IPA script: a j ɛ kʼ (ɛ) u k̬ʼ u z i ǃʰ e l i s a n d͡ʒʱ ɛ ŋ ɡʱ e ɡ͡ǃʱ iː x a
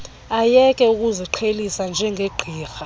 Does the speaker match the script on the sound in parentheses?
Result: yes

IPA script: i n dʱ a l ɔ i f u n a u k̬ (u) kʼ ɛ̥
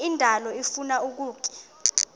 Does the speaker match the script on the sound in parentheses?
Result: no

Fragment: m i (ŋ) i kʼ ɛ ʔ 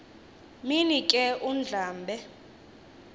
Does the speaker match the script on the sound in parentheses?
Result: no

